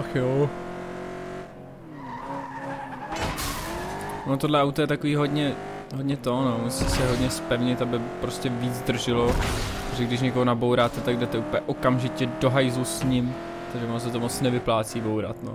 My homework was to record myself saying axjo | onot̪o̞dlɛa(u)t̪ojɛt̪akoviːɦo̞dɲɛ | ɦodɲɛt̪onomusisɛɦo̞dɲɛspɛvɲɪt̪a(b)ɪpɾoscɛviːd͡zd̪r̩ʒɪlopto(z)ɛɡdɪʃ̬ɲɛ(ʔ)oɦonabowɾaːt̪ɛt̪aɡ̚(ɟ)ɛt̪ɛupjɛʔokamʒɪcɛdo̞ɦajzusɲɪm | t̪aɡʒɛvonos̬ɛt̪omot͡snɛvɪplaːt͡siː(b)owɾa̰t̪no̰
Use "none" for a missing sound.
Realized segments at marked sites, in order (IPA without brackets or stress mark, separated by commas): w, b, ʒ, k, d, b